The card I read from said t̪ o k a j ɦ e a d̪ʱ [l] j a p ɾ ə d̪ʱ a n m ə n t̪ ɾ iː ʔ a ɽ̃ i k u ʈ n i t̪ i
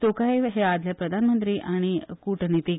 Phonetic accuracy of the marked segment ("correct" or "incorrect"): correct